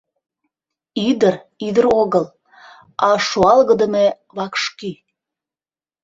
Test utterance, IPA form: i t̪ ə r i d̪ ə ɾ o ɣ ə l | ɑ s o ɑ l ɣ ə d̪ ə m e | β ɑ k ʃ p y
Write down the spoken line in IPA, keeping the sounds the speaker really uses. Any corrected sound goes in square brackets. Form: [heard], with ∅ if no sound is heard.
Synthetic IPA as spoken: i [d̪] ə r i d̪ ə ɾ o ɣ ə l | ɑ [ʃ] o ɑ l ɣ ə d̪ ə m e | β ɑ k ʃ [k] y